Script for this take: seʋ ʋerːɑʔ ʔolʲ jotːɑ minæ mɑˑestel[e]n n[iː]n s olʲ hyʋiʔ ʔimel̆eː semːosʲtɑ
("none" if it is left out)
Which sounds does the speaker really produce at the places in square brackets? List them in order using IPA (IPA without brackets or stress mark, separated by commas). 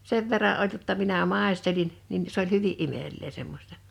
i, i